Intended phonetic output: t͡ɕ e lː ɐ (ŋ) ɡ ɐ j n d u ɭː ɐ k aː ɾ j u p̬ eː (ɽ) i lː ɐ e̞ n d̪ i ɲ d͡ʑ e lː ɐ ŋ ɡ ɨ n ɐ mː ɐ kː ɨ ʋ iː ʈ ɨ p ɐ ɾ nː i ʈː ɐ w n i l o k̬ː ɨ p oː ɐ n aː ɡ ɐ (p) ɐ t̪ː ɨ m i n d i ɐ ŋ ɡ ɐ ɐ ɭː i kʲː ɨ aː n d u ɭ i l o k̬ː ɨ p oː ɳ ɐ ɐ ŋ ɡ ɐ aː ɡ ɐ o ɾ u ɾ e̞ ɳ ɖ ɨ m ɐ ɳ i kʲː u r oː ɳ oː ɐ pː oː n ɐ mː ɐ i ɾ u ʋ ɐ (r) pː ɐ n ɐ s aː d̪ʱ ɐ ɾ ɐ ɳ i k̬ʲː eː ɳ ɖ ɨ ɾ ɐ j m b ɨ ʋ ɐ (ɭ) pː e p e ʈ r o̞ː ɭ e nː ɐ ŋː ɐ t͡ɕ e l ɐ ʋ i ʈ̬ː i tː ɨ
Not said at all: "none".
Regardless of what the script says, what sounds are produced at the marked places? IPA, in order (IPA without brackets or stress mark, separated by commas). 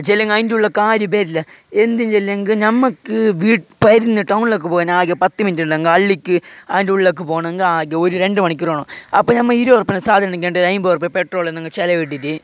ŋ, ɾ, p, r, r